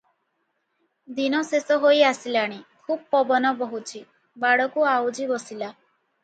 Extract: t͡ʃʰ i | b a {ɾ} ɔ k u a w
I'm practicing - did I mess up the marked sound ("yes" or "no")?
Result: yes